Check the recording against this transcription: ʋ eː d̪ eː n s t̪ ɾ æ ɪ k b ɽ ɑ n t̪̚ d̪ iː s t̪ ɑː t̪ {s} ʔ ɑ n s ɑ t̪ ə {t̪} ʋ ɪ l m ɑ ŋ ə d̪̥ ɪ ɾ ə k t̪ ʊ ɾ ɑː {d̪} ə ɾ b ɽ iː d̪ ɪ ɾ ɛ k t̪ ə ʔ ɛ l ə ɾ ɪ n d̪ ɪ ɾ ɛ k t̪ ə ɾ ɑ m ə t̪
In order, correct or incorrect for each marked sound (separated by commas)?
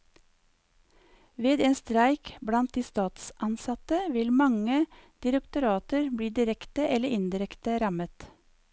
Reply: correct, incorrect, incorrect